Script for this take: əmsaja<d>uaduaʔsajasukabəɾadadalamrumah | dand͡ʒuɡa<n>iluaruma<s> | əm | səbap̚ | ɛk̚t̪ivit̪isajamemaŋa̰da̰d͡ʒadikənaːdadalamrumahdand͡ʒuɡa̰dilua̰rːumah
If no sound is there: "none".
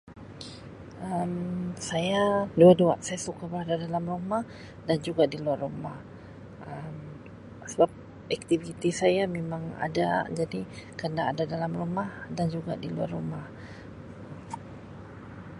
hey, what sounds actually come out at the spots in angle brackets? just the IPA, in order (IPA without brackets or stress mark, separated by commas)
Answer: d, d, h